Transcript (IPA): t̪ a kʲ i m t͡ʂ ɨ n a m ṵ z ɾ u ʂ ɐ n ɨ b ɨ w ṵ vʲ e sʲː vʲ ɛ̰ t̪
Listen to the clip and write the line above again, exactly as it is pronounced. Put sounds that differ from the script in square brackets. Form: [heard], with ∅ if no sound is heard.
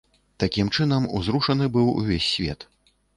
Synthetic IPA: t̪ a kʲ i m t͡ʂ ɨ n [ɐ] m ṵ z ɾ u ʂ ɐ n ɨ b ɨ w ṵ vʲ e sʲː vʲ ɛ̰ t̪